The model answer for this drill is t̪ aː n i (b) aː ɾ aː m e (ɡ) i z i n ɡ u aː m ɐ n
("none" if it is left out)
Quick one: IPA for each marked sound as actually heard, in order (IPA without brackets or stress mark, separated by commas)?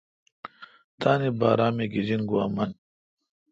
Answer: b, ɡ